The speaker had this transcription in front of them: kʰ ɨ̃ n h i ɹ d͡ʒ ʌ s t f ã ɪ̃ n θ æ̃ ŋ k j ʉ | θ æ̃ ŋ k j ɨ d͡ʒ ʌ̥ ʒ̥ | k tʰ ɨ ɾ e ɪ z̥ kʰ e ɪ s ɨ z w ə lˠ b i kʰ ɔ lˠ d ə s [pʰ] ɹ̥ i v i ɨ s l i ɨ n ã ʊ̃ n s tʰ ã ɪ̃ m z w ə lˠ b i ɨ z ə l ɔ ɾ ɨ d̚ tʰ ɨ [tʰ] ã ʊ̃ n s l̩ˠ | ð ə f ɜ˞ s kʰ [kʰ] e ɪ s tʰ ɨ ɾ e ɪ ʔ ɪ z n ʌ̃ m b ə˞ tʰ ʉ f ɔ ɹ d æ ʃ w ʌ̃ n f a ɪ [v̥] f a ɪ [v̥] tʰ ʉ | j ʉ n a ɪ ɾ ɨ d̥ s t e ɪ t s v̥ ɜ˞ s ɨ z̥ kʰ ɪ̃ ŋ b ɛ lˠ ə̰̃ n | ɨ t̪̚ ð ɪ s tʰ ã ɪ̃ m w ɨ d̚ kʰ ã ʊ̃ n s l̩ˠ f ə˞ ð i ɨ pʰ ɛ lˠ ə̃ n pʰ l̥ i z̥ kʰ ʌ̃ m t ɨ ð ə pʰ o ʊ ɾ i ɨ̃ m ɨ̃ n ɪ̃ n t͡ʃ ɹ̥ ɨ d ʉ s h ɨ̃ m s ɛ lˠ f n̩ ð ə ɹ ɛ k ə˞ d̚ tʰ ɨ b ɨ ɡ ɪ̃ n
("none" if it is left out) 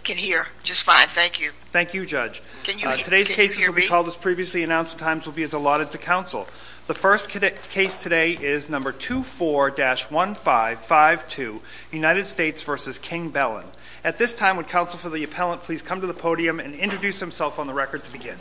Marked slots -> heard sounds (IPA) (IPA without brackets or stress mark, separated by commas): pʰ, kʰ, kʰ, v̥, v̥